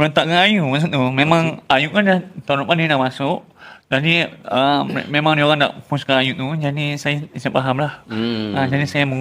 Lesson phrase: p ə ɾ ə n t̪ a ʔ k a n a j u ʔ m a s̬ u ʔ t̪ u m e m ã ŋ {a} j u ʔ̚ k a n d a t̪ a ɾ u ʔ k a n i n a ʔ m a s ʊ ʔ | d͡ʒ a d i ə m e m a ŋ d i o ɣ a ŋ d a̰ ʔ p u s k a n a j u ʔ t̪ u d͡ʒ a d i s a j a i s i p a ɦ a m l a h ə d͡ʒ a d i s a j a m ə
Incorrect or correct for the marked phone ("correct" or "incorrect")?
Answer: correct